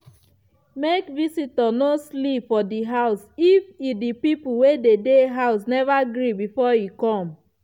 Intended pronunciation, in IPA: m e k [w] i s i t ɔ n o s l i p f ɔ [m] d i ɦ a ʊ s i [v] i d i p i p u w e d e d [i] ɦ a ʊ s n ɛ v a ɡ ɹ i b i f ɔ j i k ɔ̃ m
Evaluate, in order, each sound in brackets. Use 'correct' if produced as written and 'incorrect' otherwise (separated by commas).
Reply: incorrect, incorrect, incorrect, incorrect